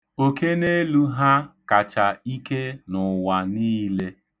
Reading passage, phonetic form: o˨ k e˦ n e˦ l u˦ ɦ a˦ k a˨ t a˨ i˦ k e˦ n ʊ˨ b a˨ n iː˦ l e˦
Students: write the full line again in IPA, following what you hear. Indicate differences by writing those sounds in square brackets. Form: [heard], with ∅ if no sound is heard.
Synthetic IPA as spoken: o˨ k e˦ n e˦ l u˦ ɦ a˦ k a˨ [t͡ʃ] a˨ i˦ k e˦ n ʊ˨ [w] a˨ n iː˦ l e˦